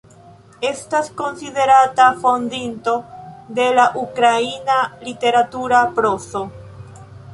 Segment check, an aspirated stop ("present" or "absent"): absent